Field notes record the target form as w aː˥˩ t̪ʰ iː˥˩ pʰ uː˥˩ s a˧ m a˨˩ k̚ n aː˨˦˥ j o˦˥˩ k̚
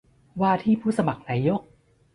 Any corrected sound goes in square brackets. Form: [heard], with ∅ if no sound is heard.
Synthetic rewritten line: w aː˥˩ t̪ʰ iː˥˩ pʰ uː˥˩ s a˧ m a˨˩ k̚ n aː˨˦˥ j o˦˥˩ k̚

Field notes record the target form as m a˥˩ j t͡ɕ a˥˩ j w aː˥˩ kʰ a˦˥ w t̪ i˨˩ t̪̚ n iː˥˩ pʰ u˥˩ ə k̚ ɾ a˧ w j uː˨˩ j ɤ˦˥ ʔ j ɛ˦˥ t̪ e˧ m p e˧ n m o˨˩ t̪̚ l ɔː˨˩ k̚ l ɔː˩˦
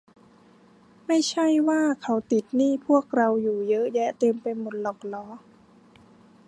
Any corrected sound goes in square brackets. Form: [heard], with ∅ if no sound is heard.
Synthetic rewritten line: m a˥˩ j [t͡ɕʰ] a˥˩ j w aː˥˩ kʰ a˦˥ w t̪ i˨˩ t̪̚ n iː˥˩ pʰ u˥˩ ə k̚ ɾ a˧ w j uː˨˩ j ɤ˦˥ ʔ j ɛ˦˥ t̪ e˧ m p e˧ n m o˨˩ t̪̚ l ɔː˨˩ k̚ l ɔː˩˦

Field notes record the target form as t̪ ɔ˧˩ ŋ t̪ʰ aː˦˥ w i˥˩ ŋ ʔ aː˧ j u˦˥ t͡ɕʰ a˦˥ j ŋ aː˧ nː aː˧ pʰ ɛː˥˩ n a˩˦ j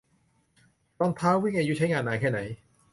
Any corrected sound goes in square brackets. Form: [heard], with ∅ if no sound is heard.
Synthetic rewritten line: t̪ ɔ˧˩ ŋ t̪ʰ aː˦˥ w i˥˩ ŋ ʔ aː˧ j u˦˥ t͡ɕʰ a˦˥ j ŋ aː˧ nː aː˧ [kʰ] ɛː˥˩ n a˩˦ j

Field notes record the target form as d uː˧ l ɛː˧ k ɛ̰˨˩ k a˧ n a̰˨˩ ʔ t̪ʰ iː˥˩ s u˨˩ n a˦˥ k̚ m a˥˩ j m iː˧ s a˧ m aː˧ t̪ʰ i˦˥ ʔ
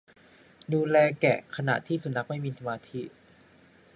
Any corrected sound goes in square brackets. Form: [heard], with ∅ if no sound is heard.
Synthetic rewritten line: d uː˧ l ɛː˧ k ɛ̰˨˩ [kʰ] a˧ n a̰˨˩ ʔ t̪ʰ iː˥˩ s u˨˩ n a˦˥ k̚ m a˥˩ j m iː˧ s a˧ m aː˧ t̪ʰ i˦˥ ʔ

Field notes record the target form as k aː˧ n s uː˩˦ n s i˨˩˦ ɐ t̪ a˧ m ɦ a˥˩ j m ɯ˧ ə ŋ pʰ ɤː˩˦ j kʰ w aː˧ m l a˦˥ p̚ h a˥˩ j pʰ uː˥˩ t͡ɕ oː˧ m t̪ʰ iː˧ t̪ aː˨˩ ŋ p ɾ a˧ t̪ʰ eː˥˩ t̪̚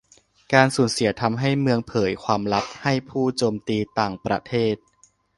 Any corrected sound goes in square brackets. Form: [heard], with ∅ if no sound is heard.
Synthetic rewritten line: k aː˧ n s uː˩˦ n s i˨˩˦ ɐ [t̪ʰ] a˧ m ɦ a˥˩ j m ɯ˧ ə ŋ pʰ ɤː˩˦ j kʰ w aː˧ m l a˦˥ p̚ h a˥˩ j pʰ uː˥˩ t͡ɕ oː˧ m [t̪] iː˧ t̪ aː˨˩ ŋ p ɾ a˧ t̪ʰ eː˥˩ t̪̚

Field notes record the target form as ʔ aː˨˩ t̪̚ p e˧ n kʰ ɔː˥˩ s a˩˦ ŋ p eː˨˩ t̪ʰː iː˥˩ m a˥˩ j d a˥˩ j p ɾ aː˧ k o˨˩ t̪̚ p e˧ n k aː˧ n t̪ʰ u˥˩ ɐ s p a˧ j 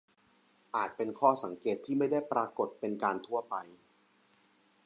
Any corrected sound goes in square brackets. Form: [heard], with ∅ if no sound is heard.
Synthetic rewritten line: ʔ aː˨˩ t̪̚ p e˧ n kʰ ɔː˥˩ s a˩˦ ŋ [k] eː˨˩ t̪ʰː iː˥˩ m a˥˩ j d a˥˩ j p ɾ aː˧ k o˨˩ t̪̚ p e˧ n k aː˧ n t̪ʰ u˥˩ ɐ [∅] p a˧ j

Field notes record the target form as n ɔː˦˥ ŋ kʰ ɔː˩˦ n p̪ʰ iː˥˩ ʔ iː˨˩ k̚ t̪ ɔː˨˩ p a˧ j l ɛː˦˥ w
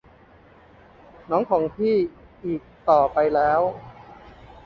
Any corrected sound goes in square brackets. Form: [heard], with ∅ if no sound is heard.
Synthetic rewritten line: n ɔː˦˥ ŋ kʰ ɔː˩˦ [ŋ] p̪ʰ iː˥˩ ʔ iː˨˩ k̚ t̪ ɔː˨˩ p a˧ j l ɛː˦˥ w

